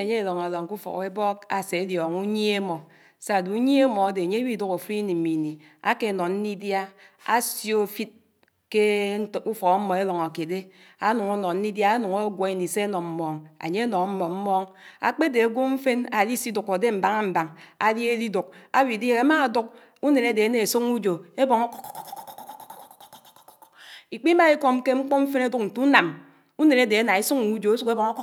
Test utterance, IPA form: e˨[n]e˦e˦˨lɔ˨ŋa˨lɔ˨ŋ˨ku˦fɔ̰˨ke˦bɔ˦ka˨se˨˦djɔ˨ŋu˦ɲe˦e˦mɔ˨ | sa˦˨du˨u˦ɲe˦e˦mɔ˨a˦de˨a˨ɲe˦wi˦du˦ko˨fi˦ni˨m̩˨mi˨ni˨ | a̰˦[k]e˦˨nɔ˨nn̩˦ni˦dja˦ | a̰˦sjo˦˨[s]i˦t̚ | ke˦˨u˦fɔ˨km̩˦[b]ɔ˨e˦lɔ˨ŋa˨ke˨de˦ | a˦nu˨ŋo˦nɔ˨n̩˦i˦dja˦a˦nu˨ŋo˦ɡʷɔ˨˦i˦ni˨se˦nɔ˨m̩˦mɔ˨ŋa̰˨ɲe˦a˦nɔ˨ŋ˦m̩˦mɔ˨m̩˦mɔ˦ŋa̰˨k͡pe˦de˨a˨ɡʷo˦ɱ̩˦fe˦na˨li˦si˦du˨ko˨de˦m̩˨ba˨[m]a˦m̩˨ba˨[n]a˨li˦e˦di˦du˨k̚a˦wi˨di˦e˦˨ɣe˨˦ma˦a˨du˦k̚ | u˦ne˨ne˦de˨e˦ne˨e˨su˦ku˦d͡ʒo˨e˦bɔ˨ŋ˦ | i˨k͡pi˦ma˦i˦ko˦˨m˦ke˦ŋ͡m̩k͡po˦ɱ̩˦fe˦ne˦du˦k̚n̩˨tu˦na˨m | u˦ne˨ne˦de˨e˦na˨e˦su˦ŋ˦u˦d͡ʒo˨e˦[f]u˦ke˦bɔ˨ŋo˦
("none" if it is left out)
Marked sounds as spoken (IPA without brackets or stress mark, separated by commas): ɲ, k, f, m, ŋ, ŋ, s